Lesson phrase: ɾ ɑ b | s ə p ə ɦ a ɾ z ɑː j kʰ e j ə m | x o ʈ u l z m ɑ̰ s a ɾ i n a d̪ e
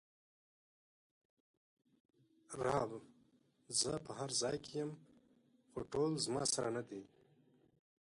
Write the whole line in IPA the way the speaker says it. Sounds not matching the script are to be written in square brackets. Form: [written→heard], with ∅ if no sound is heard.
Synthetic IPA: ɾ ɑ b | [s→z] ə p ə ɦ a ɾ z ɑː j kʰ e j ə m | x o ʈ [u→o] l z m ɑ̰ s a ɾ [i→a] n a d̪ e